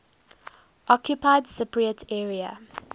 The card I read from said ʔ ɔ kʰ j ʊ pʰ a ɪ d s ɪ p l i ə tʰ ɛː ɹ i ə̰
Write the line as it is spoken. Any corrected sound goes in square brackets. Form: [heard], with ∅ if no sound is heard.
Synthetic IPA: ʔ ɔ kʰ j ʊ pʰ a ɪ d s ɪ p [ɹ] i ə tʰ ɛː ɹ i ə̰